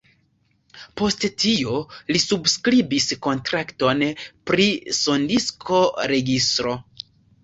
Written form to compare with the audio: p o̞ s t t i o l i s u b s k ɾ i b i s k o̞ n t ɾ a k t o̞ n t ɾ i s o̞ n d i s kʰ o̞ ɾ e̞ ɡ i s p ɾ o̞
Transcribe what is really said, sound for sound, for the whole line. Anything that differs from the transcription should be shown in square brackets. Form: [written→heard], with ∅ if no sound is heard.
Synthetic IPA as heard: p o̞ s t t i o l i s u b s k ɾ i b i s k o̞ n t ɾ a k t o̞ n [t→p] ɾ i s o̞ n d i s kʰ o̞ ɾ e̞ ɡ i s [p→t] ɾ o̞